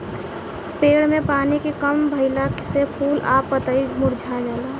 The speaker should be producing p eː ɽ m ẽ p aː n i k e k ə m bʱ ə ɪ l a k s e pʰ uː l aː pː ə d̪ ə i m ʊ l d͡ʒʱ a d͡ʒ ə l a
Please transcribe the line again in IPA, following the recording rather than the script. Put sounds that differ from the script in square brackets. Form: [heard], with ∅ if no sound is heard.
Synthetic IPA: p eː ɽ m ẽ p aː n i k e k ə m bʱ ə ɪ l a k s e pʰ uː l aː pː ə [t̪] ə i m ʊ [ɾ] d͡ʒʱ a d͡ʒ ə l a